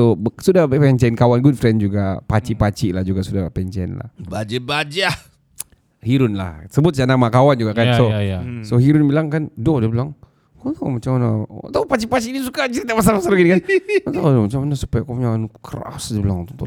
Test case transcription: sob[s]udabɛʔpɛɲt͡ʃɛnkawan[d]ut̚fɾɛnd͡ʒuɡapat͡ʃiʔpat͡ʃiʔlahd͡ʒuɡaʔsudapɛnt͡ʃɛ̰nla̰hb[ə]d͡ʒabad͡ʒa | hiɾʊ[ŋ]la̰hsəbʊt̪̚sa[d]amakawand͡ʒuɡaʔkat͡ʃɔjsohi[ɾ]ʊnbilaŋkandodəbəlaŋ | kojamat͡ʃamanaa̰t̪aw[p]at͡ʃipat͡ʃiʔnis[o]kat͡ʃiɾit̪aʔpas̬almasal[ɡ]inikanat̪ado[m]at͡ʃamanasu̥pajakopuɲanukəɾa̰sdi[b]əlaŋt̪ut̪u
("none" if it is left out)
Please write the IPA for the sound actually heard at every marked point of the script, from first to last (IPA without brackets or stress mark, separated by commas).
s, ɡ, a, n, n, ɾ, p, u, ɡ, m, b